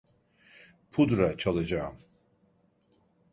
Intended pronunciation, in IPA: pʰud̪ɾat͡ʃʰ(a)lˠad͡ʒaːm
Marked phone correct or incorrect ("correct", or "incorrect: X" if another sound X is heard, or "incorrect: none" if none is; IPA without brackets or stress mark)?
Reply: correct